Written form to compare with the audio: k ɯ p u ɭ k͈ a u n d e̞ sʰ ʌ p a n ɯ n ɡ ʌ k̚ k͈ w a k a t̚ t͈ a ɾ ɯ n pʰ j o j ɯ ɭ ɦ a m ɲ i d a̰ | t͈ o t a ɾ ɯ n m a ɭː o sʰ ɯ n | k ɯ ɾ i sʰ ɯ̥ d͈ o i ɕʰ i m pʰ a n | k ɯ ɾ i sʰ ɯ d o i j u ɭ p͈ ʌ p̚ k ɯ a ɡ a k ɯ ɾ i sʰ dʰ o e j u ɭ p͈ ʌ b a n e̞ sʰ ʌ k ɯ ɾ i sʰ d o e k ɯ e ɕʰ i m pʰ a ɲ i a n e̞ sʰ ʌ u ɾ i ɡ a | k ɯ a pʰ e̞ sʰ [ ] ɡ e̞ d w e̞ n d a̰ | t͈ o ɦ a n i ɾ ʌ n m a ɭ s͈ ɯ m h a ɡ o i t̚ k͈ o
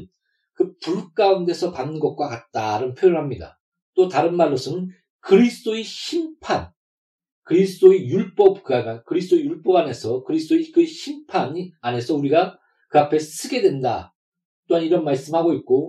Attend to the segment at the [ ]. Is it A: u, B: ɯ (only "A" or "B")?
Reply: B